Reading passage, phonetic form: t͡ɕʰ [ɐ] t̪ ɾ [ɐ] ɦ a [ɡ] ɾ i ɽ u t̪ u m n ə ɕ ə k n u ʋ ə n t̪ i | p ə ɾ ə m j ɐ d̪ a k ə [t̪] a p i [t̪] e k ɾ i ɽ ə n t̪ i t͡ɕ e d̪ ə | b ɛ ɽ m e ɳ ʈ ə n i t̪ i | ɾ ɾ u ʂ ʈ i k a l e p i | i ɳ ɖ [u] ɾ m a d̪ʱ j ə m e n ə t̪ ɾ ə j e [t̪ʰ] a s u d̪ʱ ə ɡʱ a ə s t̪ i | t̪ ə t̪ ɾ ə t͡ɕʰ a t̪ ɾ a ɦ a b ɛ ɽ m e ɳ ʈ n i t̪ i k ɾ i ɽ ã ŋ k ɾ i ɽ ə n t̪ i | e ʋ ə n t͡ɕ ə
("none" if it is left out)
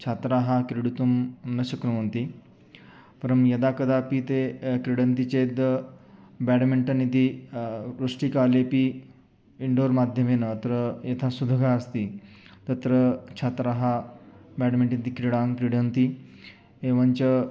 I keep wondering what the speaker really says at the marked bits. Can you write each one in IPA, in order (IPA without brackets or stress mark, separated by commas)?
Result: a, a, k, d̪, t̪, o, t̪ʰ